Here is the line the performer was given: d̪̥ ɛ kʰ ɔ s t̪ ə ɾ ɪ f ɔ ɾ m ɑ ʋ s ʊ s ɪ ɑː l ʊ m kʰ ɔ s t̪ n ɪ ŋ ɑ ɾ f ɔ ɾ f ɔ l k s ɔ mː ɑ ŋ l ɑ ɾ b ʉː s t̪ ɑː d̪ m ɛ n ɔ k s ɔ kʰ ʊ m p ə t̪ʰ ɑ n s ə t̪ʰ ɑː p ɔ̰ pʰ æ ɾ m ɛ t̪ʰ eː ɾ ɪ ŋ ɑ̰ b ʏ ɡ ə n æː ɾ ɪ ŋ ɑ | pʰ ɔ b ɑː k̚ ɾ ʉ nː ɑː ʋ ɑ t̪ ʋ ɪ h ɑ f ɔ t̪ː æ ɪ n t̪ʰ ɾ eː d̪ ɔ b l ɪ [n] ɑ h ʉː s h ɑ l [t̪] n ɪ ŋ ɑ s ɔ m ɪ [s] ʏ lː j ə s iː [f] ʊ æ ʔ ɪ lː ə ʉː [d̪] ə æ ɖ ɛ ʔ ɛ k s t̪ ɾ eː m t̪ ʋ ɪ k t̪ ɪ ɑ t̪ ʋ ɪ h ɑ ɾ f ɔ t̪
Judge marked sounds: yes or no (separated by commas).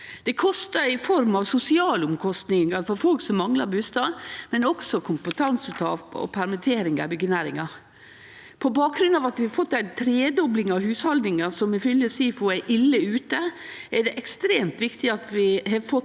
no, no, no, yes, no